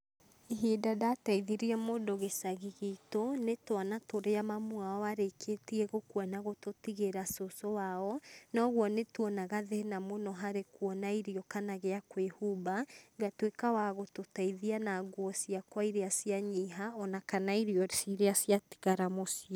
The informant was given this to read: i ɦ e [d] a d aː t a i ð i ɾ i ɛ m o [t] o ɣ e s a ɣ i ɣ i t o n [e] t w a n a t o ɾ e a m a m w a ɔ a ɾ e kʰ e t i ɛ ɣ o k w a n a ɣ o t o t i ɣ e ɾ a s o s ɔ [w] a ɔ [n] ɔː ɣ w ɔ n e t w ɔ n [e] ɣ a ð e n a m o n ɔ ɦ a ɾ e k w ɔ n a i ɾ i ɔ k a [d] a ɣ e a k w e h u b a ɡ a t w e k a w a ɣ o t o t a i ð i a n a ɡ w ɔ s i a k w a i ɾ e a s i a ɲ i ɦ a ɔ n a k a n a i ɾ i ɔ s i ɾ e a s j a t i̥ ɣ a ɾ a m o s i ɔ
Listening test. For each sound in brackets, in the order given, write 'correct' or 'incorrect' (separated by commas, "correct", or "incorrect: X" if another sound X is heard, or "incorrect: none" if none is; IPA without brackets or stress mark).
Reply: correct, incorrect: d, correct, correct, correct, incorrect: a, incorrect: n